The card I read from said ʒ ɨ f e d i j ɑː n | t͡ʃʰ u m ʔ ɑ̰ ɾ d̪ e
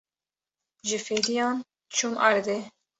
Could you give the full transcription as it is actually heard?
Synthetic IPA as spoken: ʒ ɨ f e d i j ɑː n | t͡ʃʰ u m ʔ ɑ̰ ɾ d̪ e